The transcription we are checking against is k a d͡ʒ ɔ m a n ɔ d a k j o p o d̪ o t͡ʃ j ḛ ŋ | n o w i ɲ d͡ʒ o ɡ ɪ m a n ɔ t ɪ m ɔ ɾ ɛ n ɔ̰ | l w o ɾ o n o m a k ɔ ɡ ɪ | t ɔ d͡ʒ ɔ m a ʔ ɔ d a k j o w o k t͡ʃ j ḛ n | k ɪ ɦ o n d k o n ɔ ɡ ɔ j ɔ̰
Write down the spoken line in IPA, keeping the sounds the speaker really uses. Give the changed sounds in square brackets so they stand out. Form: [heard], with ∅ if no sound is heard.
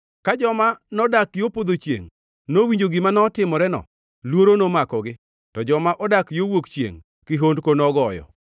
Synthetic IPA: k a d͡ʒ ɔ m a n ɔ d a k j o p o d̪ o t͡ʃ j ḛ ŋ | n o w i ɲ d͡ʒ o ɡ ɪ m a n ɔ t ɪ m ɔ ɾ ɛ n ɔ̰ | l w o ɾ o n o m a k ɔ ɡ ɪ | t ɔ d͡ʒ ɔ m a ʔ ɔ d a k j o w o k t͡ʃ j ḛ [ŋ] | k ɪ ɦ o n d k o n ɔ ɡ ɔ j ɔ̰

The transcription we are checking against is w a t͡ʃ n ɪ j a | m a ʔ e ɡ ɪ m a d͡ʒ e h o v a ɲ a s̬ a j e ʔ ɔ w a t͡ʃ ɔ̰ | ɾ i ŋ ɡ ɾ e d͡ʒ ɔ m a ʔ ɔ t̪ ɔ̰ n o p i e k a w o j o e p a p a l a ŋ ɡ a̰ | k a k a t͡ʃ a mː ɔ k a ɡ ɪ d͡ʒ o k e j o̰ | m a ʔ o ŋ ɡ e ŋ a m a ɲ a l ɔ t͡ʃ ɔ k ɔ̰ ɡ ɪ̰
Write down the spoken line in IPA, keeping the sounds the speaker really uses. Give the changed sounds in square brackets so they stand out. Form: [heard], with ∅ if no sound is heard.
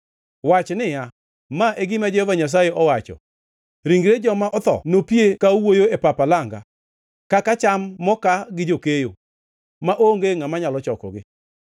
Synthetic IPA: w a t͡ʃ n ɪ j a | m a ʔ e ɡ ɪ m a d͡ʒ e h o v a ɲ a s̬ a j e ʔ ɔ w a t͡ʃ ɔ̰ | ɾ i ŋ ɡ ɾ e d͡ʒ ɔ m a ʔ ɔ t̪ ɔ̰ n o p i e k a w o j o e p a p a l a ŋ ɡ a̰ | k a k a t͡ʃ a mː ɔ k a ɡ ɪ d͡ʒ o k e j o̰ | m a ʔ o ŋ ɡ e ŋ a m a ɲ a l ɔ t͡ʃ ɔ k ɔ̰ ɡ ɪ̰

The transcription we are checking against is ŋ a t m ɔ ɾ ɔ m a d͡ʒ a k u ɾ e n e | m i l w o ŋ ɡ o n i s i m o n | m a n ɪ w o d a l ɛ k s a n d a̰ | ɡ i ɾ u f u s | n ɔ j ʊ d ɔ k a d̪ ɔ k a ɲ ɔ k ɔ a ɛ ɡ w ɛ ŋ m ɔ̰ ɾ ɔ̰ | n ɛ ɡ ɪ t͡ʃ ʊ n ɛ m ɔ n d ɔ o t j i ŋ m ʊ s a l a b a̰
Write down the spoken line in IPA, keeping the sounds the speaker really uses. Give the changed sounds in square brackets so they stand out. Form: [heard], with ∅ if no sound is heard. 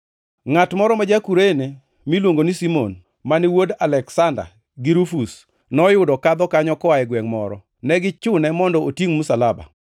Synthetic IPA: ŋ a t m ɔ ɾ ɔ m a d͡ʒ a k u ɾ e n e | m i l w o ŋ ɡ o n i s i m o n | m a n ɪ w o d a l ɛ k s a n d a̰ | ɡ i ɾ u f u s | n ɔ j ʊ d ɔ k a d̪ ɔ k a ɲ ɔ k ɔ a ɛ ɡ w ɛ ŋ m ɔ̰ ɾ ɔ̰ | n ɛ ɡ ɪ t͡ʃ ʊ n ɛ m ɔ n d ɔ o t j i ŋ m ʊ s a l a b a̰

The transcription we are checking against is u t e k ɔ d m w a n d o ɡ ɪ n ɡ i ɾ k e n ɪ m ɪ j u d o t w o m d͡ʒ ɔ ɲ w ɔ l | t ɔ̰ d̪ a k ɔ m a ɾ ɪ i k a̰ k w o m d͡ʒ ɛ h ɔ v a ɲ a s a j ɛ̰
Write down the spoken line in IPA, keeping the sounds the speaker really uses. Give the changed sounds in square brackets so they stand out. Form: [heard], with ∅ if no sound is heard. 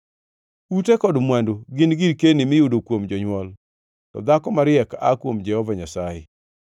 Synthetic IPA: u t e k ɔ d m w a n d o ɡ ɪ n ɡ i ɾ k e n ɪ m ɪ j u d o [k] w o m d͡ʒ ɔ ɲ w ɔ l | t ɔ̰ d̪ a k ɔ m a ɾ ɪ [ɛ] k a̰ k w o m d͡ʒ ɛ h ɔ v a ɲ a s a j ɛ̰

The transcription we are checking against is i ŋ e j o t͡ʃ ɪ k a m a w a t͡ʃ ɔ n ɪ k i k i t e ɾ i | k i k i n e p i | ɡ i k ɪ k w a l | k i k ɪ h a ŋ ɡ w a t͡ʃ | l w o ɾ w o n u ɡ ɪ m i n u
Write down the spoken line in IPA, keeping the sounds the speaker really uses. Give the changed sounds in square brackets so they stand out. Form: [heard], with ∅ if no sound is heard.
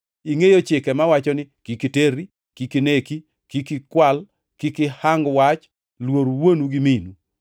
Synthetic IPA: i ŋ e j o t͡ʃ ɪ k [ɛ] m a w a t͡ʃ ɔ n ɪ k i k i t e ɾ i | k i k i n e [k] i | [k] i k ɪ k w a l | k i k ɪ h a ŋ ɡ w a t͡ʃ | l w o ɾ w o n u ɡ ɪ m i n u

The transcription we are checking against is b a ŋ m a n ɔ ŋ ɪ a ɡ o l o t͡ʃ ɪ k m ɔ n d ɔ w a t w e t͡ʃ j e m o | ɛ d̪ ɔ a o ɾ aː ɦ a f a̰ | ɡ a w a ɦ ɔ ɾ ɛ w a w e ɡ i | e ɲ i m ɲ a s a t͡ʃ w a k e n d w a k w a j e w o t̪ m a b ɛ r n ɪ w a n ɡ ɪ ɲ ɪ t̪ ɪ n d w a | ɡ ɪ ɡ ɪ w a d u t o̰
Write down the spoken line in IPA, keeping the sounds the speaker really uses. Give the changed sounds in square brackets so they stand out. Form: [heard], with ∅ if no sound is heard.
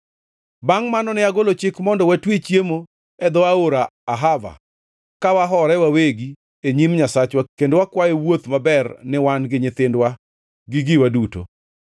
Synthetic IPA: b a ŋ m a n ɔ [n] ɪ a ɡ o l o t͡ʃ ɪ k m ɔ n d ɔ w a t w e t͡ʃ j e m o | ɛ d̪ ɔ a o ɾ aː ɦ a [v] a̰ | [k] a w a ɦ ɔ ɾ ɛ w a w e ɡ i | e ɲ i m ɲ a s a t͡ʃ w a k e n d w a k w a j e w o t̪ m a b ɛ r n ɪ w a n ɡ ɪ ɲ ɪ t̪ ɪ n d w a | ɡ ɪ ɡ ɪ w a d u t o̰

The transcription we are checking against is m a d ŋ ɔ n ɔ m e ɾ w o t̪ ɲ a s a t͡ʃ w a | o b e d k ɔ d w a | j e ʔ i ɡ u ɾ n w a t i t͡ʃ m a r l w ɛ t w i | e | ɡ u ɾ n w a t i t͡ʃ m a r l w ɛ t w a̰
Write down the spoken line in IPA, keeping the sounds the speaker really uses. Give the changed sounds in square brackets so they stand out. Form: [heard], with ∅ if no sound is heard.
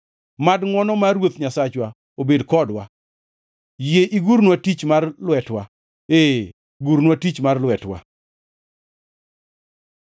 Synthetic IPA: m a d ŋ ɔ n ɔ m [a] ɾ w o t̪ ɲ a s a t͡ʃ w a | o b e d k ɔ d w a | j e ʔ i ɡ u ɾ n w a t i t͡ʃ m a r l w ɛ t w [a] | e | ɡ u ɾ n w a t i t͡ʃ m a r l w ɛ t w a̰

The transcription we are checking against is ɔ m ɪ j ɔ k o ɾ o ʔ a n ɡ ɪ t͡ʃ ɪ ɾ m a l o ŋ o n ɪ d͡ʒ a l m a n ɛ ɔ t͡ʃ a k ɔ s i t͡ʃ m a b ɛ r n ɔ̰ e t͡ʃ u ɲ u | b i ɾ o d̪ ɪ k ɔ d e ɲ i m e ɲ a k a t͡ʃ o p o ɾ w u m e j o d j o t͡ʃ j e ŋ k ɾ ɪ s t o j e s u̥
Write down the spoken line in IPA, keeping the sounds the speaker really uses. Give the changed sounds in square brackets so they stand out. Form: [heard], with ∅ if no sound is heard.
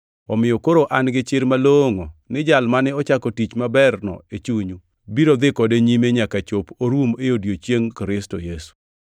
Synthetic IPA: ɔ m ɪ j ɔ k o ɾ o ʔ a n ɡ ɪ t͡ʃ ɪ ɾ m a l o ŋ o n ɪ d͡ʒ a l m a n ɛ ɔ t͡ʃ a k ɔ [t] i t͡ʃ m a b ɛ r n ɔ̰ e t͡ʃ u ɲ u | b i ɾ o d̪ ɪ k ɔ d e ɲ i m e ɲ a k a t͡ʃ o p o ɾ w u m e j o d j o t͡ʃ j e ŋ k ɾ ɪ s t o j e s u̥

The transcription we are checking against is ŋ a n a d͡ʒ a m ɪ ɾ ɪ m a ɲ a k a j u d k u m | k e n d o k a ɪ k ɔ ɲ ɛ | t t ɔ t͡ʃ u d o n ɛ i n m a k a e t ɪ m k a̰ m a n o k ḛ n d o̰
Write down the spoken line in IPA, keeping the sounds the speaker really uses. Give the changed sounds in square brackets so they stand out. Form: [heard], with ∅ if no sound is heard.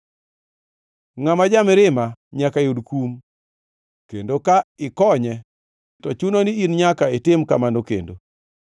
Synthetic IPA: ŋ a [m] a d͡ʒ a m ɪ ɾ ɪ m a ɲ a k a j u d k u m | k e n d o k a ɪ k ɔ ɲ ɛ | t t ɔ t͡ʃ u [n] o n [i] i n [ɲ] a k a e t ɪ m k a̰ m a n o k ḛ n d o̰

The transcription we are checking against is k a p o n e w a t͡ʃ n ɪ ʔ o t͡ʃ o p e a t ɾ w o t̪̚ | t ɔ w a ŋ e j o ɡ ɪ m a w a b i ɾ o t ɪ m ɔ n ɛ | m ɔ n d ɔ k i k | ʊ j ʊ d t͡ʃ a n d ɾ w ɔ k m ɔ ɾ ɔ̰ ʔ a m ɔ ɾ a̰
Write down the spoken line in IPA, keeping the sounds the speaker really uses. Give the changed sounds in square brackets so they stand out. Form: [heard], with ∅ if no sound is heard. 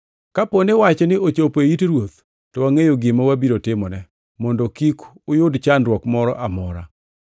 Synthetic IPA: k a p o n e w a t͡ʃ n ɪ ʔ o t͡ʃ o p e [i] t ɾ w o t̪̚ | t ɔ w a ŋ e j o ɡ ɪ m a w a b i ɾ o t ɪ m ɔ n ɛ | m ɔ n d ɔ k i k | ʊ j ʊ d t͡ʃ a n d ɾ w ɔ k m ɔ ɾ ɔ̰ ʔ a m ɔ ɾ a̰

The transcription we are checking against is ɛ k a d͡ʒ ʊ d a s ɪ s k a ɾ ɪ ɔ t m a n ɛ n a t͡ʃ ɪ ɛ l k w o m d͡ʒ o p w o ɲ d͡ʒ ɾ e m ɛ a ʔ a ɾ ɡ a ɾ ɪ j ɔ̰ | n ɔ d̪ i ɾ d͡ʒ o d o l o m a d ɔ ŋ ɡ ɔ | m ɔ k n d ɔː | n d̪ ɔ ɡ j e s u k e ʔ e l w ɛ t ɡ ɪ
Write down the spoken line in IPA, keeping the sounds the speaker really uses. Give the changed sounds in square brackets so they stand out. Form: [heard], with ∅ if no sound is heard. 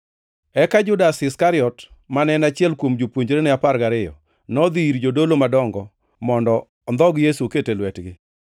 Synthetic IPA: ɛ k a d͡ʒ ʊ d a s ɪ s k a ɾ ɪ ɔ t m a n ɛ n a t͡ʃ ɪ ɛ l k w o m d͡ʒ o p w o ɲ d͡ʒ ɾ e [n] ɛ a [p] a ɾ ɡ a ɾ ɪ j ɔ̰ | n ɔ d̪ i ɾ d͡ʒ o d o l o m a d ɔ ŋ ɡ ɔ | m ɔ [∅] n d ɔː | n d̪ ɔ ɡ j e s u k e [t] e l w ɛ t ɡ ɪ

